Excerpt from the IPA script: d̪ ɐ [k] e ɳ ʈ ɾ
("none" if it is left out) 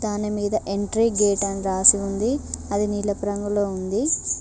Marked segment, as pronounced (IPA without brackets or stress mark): ʔ